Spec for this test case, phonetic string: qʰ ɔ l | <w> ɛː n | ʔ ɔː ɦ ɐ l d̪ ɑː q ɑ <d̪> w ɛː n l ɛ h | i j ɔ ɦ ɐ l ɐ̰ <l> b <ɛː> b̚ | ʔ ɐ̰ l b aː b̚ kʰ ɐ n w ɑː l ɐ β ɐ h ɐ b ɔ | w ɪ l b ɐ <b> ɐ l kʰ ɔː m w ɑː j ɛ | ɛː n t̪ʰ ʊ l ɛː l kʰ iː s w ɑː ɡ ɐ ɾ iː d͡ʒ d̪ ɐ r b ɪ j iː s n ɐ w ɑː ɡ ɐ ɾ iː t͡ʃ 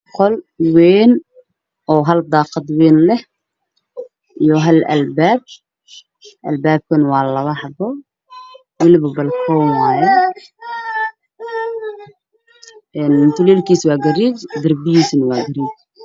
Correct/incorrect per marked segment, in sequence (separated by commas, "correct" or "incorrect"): correct, correct, correct, incorrect, correct